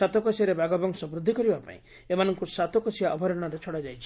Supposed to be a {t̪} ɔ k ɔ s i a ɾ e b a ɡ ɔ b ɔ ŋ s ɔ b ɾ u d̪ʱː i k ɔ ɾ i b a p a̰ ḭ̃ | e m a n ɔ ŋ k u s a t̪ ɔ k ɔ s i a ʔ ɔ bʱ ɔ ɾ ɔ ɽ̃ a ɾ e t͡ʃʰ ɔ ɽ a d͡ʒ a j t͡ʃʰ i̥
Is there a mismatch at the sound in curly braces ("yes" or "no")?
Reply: no